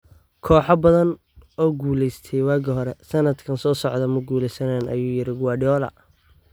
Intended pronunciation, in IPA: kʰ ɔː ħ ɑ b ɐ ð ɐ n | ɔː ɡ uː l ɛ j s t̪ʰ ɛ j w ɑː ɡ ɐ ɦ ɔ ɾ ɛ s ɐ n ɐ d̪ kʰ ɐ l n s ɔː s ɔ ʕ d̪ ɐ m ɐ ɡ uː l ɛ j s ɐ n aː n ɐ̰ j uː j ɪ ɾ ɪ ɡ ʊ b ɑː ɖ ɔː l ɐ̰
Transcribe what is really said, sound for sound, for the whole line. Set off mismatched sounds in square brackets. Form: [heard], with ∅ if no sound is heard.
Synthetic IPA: kʰ ɔː ħ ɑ b ɐ ð ɐ n | ɔː ɡ uː l ɛ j s t̪ʰ ɛ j w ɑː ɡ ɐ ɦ ɔ ɾ ɛ s ɐ n ɐ d̪ kʰ ɐ [∅] n s ɔː s ɔ ʕ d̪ ɐ m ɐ ɡ uː l ɛ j s ɐ n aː n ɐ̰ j uː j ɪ ɾ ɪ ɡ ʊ [w] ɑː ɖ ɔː l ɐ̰